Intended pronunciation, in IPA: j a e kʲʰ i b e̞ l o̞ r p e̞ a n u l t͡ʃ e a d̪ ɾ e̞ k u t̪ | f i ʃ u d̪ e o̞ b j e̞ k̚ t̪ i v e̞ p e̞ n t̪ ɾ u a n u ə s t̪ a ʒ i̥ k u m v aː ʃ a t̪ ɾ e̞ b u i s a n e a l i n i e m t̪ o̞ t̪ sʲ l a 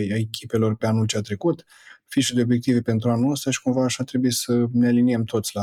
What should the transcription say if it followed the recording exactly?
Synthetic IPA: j a e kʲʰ i p e̞ l o̞ r p e̞ a n u l t͡ʃ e a t̪ ɾ e̞ k u t̪ | f i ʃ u d̪ e o̞ b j e̞ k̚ t̪ i v e̞ p e̞ n t̪ ɾ u a n u ə s t̪ a ʃ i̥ k u m v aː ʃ a t̪ ɾ e̞ b u i s ə n e a l i n i e m t̪ o̞ t̪ sʲ l a